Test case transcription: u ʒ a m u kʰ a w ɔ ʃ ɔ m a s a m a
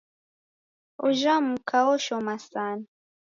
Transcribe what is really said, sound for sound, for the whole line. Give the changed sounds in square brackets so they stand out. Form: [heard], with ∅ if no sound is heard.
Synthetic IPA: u ʒ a m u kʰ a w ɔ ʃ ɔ m a s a [n] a